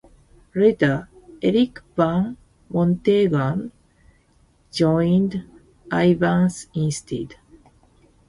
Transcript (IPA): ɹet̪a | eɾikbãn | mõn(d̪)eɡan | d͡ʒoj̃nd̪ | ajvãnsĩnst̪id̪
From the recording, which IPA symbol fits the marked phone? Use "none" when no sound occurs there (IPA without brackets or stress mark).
t̪